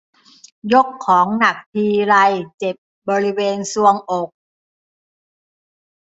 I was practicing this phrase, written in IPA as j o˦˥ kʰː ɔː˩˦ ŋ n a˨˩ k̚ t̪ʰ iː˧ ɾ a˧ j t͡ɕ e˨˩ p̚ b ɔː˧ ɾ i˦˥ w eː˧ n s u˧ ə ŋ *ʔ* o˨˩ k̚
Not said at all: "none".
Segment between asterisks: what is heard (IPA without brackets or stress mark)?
ʔ